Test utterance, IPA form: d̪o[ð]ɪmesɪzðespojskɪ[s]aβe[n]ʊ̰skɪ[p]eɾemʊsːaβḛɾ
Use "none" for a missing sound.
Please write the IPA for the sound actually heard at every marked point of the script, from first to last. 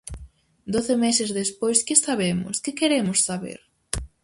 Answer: θ, s, m, k

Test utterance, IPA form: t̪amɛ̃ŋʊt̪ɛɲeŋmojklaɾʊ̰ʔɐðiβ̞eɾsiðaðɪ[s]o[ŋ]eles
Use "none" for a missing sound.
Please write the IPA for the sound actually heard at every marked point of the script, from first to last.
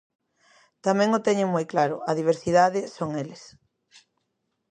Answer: s, ŋ

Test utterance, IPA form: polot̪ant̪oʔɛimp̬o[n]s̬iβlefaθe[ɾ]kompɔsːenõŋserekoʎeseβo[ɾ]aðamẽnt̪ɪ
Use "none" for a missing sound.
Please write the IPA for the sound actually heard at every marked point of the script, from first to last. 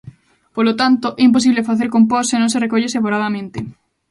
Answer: none, ɾ, ɾ

